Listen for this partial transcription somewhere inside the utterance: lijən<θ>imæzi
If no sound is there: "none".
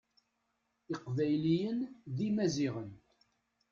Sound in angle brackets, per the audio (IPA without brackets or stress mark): ð